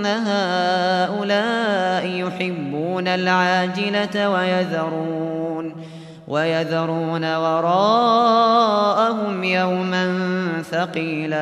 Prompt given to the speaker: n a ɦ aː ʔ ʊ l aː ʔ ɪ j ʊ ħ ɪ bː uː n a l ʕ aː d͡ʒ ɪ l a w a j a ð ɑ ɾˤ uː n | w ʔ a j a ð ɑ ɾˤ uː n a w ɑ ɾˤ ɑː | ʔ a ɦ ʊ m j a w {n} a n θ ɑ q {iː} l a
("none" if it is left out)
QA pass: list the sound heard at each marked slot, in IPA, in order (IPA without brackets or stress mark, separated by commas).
m, iː